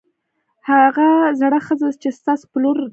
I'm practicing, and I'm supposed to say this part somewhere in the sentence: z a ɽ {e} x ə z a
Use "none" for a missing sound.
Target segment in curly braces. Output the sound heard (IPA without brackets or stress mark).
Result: a